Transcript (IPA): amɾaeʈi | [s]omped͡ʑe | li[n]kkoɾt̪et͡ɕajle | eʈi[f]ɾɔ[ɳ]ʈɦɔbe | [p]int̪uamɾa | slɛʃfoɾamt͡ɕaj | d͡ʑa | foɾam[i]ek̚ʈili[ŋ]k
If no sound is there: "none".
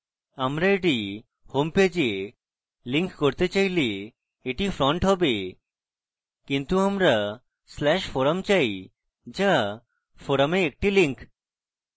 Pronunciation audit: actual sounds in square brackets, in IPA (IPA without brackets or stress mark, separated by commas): h, ŋ, f, ɳ, k, e, ŋ